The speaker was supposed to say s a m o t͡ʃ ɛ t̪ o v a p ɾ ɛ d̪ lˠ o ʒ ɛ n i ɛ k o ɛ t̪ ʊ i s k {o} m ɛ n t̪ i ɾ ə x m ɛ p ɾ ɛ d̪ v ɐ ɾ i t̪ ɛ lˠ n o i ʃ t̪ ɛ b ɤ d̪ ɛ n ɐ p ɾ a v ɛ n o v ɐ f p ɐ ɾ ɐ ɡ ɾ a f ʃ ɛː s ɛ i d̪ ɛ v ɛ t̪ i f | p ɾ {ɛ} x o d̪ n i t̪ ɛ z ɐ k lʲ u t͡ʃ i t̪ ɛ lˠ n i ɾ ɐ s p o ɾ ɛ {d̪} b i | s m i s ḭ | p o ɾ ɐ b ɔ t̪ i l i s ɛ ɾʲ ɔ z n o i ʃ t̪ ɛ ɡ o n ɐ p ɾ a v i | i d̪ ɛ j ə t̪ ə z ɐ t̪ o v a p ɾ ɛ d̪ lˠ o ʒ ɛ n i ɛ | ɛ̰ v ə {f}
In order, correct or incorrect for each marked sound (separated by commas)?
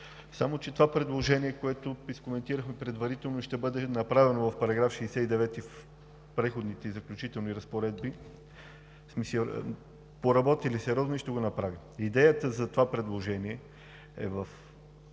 correct, correct, correct, correct